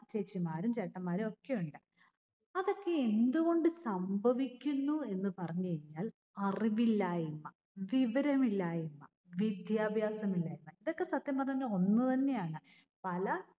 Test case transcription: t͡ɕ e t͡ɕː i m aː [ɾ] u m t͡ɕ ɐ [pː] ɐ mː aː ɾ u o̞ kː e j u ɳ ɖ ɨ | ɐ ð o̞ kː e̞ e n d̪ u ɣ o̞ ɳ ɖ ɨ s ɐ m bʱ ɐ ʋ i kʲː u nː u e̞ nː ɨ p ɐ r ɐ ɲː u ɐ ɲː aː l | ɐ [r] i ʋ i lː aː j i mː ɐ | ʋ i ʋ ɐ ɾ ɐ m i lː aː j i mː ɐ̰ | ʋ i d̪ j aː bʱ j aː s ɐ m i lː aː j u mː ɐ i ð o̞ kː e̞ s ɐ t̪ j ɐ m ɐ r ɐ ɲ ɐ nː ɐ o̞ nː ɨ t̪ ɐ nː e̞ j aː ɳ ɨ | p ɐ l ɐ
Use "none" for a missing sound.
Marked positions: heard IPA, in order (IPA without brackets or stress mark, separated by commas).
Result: ɾ, ʈː, r